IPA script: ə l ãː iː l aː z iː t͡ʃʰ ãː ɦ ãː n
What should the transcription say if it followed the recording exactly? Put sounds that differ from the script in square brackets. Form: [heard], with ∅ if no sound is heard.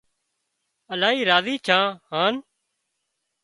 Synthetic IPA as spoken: ə l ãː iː [ɾ] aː z iː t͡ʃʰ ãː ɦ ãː n